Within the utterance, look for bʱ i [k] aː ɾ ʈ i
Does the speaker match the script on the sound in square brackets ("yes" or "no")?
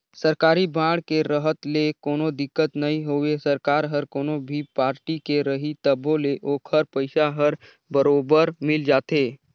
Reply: no